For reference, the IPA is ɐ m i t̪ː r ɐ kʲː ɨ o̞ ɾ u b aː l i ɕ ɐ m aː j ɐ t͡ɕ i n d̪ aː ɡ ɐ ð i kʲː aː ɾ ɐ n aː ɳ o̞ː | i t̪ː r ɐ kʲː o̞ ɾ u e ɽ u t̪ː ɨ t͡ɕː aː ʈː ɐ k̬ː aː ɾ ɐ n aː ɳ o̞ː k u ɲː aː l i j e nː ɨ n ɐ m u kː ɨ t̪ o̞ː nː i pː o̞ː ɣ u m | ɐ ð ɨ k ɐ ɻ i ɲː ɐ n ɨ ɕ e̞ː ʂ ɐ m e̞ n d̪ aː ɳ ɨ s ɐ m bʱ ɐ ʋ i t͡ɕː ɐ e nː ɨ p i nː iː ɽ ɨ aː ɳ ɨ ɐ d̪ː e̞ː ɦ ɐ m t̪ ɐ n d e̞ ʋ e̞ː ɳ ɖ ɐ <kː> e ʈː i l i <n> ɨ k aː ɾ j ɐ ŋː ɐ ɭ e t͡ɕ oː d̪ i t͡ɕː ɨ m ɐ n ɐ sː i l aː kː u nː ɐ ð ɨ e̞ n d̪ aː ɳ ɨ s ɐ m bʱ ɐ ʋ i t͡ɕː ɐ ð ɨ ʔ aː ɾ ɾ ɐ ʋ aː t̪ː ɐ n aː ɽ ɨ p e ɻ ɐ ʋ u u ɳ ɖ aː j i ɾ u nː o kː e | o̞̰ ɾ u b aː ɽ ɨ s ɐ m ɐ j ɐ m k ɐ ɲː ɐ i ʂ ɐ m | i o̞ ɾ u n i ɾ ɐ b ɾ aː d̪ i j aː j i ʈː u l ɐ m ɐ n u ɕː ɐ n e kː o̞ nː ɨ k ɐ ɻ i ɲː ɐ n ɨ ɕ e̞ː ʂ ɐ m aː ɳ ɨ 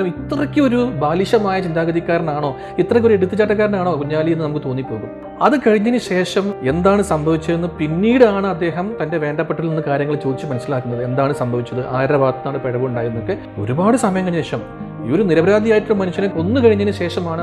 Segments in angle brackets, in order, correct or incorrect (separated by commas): incorrect, incorrect